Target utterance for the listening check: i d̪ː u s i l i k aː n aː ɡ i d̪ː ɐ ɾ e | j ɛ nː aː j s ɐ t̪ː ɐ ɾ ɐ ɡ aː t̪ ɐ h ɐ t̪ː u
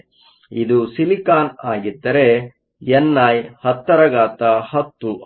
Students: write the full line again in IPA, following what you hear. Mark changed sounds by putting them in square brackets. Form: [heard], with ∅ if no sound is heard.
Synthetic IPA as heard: i [d̪] u s i l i k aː n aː ɡ i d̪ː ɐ ɾ e | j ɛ nː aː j [h] ɐ t̪ː ɐ ɾ ɐ ɡ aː t̪ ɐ h ɐ t̪ː u